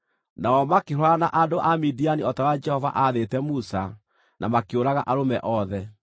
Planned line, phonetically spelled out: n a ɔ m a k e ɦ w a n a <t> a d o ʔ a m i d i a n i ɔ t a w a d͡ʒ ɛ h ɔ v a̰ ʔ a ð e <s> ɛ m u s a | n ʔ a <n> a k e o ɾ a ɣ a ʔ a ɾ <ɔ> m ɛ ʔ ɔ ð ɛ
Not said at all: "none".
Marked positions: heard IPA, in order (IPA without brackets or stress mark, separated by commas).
ʔ, t, m, o